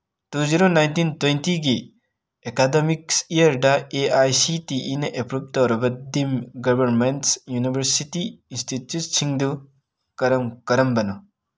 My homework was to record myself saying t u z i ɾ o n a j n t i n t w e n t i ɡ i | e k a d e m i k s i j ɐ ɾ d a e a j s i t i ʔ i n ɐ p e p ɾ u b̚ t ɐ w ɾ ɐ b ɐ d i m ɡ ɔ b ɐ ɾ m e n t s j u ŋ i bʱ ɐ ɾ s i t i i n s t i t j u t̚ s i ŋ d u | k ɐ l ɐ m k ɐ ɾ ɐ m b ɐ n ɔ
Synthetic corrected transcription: t u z i ɾ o n a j n t i n t w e n t i ɡ i | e k a d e m i k s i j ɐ ɾ d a e a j s i t i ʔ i n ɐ ʔ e p ɾ u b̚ t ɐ w ɾ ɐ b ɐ d i m ɡ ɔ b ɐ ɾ m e n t s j u n i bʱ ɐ ɾ s i t i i n s t i t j u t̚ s i ŋ d u | k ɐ ɾ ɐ m k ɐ ɾ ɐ m b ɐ n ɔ